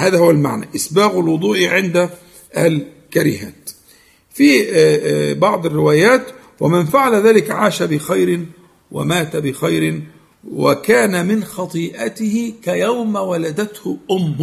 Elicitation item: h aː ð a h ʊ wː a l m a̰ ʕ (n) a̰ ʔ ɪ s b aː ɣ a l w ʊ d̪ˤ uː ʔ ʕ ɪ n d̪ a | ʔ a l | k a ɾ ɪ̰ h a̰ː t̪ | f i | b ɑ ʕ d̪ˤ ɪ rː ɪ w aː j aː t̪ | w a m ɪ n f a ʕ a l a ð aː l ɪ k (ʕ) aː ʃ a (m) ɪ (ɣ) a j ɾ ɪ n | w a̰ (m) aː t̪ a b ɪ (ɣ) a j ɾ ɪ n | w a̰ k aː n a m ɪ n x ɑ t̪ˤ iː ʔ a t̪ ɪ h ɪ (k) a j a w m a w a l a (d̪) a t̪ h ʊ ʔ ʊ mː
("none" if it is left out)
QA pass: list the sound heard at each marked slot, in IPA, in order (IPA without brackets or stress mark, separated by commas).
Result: n, ʕ, b, x, m, x, k, d̪